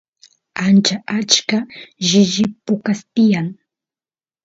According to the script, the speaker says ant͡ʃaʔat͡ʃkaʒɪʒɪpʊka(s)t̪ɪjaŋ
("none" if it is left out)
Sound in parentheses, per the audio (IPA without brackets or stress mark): s